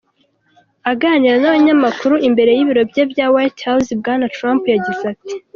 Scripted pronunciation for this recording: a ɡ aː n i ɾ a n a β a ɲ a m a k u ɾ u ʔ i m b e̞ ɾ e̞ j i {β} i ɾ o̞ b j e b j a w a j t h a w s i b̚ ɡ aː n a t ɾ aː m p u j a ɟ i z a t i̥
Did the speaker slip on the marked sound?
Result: no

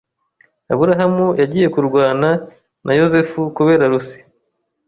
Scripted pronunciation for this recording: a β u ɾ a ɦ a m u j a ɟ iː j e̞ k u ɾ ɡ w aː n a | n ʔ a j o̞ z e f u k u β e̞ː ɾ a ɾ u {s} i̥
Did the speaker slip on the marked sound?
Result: no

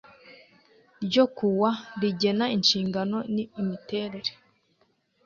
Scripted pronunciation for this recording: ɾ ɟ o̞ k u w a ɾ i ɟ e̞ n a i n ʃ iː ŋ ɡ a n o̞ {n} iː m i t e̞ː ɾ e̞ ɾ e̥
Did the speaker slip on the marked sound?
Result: no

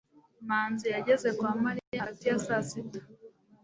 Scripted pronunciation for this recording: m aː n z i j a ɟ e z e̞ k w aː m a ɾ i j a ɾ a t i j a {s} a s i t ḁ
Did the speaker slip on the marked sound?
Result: no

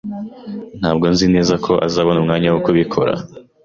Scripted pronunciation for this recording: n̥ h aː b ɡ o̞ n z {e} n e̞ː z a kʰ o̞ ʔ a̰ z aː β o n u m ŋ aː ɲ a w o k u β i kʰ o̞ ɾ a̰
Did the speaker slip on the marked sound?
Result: yes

